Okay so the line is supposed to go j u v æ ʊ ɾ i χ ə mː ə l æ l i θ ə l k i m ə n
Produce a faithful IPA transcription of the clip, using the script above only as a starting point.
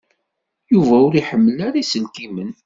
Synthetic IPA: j u v æ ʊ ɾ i ħ ə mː ə l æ ɾ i s ə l k i m ə n